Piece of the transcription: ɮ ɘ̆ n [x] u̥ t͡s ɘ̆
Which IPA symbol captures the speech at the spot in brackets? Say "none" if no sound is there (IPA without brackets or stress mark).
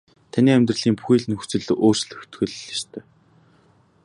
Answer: x